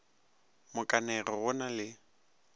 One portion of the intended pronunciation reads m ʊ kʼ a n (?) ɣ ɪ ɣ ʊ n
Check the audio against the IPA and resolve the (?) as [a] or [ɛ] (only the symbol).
ɛ